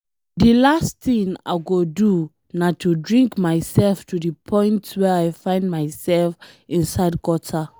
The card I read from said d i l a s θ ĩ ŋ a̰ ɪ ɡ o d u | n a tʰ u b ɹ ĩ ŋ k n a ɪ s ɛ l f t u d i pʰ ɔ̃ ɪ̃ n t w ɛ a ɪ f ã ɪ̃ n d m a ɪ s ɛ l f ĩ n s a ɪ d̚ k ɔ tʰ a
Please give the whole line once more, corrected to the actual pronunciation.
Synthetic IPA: d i l a s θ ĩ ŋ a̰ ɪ ɡ o d u | n a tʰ u d ɹ ĩ ŋ k m a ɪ s ɛ l f t u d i pʰ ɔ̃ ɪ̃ n t w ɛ a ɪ f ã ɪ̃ n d m a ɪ s ɛ l f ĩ n s a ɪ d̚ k ɔ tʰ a